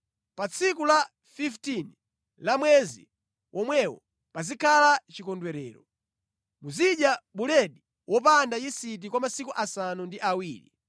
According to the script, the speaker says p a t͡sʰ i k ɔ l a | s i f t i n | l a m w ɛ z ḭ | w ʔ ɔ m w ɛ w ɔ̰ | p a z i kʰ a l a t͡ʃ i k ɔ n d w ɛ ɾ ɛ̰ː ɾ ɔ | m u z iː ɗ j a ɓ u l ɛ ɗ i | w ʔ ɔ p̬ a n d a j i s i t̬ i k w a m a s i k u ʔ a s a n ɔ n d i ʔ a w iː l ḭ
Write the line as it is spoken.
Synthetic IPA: p a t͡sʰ i k u l a | f i f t i n | l a m w ɛ z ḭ | w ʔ ɔ m w ɛ w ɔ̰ | p a z i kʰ a l a t͡ʃ i k ɔ n d w ɛ ɾ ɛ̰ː ɾ ɔ | m u z i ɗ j a ɓ u l ɛ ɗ i | w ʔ ɔ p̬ a n d a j i s i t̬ i k w a m a s i k u ʔ a s a n u n d i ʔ a w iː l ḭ

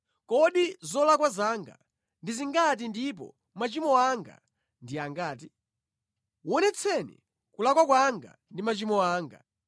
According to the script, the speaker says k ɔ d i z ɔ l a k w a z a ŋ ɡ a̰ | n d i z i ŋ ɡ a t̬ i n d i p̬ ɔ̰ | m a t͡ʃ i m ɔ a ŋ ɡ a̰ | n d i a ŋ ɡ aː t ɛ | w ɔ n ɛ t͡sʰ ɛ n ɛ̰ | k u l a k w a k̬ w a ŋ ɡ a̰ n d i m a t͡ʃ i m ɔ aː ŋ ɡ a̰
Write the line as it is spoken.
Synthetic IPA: k ɔ ɗ i z ɔ l a k w a z a ŋ ɡ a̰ | n d i z i ŋ ɡ a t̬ i n d i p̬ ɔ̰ | m a t͡ʃ i m ɔ a ŋ ɡ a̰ | n d i a ŋ ɡ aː t i | w ɔ n ɛ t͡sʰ ɛ n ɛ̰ | k u l a k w a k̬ w a ŋ ɡ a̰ n d i m a t͡ʃ i m ɔ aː ŋ ɡ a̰

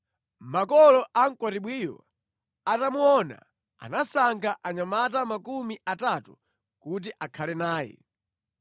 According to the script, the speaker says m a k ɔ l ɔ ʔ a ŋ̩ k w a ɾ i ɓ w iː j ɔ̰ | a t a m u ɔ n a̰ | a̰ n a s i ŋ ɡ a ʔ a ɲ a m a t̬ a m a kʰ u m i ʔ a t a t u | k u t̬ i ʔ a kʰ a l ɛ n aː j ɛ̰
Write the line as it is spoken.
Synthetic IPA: m a k ɔ l ɔ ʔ a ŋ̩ k w a ɾ i ɓ w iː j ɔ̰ | a t a m u ɔ n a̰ | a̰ n a s a ŋ ɡ a ʔ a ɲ a m a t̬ a m a k u m i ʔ a t a t u | k u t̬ i ʔ a kʰ a l ɛ n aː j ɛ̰

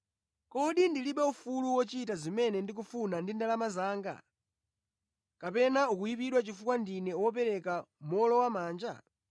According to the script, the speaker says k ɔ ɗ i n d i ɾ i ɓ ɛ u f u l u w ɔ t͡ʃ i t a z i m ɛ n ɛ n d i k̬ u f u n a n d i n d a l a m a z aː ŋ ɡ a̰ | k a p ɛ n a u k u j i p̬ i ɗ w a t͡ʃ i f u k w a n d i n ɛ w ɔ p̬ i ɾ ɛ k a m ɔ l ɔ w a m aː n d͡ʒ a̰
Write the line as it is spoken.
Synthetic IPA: k ɔ ɗ i n d i l i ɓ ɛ u f u l u w ɔ t͡ʃ i t a z i m ɛ n ɛ n d i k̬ u f u n a n d i n d a l a m a z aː ŋ ɡ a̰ | k a p ɛ n a u k u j i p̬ i ɗ w a t͡ʃ i f u k w a n d i n ɛ w ɔ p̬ ɛ ɾ ɛ k a m ɔ l ɔ w a m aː n d͡ʒ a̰

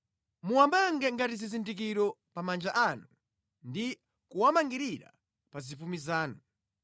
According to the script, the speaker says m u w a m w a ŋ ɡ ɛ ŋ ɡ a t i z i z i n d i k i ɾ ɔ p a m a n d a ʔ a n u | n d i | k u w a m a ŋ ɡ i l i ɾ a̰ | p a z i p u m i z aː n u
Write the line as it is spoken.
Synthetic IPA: m u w a m b a ŋ ɡ ɛ ŋ ɡ a t i z i z i n d i k i ɾ ɔ p a m a n d͡ʒ a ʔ a n u | n d i | k u w a m a ŋ ɡ i ɾ i ɾ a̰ | p a z i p u m i z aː n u

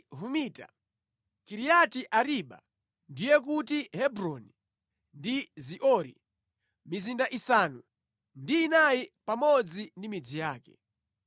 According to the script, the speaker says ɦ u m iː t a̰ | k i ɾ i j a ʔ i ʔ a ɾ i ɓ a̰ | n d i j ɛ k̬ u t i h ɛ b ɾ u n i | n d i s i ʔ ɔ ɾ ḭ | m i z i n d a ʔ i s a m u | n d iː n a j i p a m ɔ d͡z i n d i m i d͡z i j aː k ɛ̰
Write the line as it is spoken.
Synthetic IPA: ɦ u m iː t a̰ | k i ɾ i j a t i ʔ a ɾ i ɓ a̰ | n d i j ɛ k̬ u t i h ɛ b ɾ ɔ n i | n d i z i ʔ ɔ ɾ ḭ | m i z i n d a ʔ i s a n u | n d iː n a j i p a m ɔ d͡z i n d i m i d͡z i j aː k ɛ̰

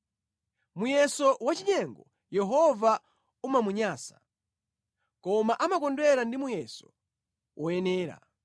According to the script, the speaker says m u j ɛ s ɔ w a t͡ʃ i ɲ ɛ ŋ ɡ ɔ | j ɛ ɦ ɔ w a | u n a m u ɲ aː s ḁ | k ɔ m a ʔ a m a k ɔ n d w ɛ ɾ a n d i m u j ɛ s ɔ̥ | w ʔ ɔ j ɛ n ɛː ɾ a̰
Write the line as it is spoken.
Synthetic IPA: m u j ɛ s ɔ w a t͡ʃ i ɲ ɛ ŋ ɡ ɔ | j ɛ ɦ ɔ v a | u m a m u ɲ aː s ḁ | k ɔ m a ʔ a m a k ɔ n d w ɛ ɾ a n d i m u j ɛ s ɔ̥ | w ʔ ɔ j ɛ n ɛː ɾ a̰

